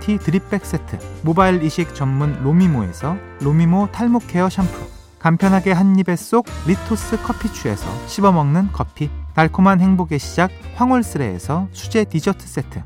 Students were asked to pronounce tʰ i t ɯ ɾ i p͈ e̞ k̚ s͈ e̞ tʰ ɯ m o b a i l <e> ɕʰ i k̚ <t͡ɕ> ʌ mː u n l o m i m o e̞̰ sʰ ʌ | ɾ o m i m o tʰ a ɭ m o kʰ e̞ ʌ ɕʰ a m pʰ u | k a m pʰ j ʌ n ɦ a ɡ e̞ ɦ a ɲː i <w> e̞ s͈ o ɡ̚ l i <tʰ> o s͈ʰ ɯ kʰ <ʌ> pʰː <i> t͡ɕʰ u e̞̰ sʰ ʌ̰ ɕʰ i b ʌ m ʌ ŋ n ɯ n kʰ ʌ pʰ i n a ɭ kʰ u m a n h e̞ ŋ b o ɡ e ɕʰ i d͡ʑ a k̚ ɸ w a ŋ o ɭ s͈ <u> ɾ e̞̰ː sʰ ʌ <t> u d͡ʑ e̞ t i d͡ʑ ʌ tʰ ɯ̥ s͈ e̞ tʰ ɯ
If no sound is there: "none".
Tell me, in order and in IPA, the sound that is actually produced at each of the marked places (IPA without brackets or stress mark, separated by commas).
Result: i, t͡ɕ, b, tʰ, ʌ, i, ɯ, t͡ɕʰ